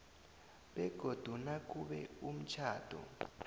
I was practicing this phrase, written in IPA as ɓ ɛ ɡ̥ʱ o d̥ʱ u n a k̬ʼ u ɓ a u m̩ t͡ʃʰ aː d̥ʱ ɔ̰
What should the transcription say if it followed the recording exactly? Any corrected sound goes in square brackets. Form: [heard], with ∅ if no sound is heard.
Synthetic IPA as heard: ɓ ɛ ɡ̥ʱ o d̥ʱ u n a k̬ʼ u ɓ [ɛ] u m̩ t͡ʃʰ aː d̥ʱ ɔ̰